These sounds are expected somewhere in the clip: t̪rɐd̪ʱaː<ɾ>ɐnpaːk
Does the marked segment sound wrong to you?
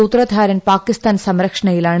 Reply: no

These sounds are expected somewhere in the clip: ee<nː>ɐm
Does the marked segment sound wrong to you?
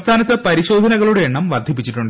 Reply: yes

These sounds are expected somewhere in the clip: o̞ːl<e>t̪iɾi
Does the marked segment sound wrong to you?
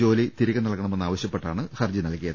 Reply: yes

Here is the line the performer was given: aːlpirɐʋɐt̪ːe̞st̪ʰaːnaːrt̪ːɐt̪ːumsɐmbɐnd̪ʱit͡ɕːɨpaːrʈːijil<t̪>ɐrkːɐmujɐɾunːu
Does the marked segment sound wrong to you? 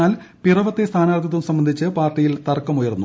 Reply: no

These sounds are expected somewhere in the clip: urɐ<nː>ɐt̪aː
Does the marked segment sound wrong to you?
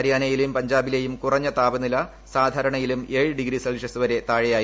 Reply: yes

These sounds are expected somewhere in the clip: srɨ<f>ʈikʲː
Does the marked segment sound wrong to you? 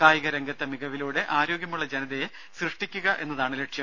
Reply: yes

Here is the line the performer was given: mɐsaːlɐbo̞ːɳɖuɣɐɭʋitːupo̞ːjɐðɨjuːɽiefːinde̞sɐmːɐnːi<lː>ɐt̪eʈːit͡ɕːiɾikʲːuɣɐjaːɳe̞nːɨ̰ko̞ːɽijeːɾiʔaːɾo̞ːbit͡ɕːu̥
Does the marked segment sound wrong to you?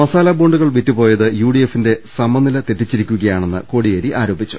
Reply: yes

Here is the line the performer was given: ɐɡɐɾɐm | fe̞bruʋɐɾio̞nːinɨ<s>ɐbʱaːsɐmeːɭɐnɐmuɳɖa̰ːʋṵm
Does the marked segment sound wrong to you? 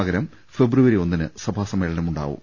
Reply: no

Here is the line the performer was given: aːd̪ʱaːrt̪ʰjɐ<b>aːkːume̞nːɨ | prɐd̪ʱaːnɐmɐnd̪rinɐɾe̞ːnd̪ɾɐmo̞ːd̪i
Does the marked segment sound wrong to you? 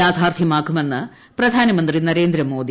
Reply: yes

